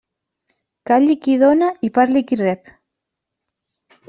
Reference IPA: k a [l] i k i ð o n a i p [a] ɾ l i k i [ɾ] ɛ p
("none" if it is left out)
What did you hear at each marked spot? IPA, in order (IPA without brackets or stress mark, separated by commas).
ʎ, a, r